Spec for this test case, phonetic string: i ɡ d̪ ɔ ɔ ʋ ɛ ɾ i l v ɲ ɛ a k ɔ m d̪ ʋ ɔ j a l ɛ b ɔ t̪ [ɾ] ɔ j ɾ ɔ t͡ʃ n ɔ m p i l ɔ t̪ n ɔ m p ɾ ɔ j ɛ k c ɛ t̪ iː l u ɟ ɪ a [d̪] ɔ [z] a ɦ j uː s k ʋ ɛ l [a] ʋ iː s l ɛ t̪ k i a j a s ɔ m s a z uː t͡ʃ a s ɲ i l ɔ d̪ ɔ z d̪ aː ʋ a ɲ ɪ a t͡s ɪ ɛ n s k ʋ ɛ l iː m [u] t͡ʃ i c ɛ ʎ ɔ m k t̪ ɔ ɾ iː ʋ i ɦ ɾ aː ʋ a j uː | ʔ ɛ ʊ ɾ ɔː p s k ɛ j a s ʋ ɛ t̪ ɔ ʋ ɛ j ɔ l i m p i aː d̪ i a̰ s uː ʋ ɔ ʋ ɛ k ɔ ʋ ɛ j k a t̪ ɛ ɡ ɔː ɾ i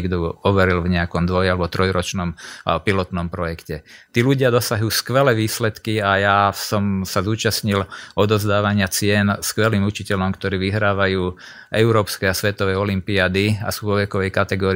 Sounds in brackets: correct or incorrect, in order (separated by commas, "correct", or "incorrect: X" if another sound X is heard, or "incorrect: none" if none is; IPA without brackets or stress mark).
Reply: correct, correct, incorrect: s, incorrect: ɛ, correct